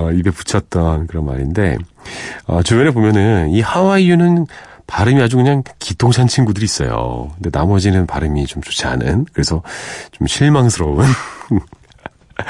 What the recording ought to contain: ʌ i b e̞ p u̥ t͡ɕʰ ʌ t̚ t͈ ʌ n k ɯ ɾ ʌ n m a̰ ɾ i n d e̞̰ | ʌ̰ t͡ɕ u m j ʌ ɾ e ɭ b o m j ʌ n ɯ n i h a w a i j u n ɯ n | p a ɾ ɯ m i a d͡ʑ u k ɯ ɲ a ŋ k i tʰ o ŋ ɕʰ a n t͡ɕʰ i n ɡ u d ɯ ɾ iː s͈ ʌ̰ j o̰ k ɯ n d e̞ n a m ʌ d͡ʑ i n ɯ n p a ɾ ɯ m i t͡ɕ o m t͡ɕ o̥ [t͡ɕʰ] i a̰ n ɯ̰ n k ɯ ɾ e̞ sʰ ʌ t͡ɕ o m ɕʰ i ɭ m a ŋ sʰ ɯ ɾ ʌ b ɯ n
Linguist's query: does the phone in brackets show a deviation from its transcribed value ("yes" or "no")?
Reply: no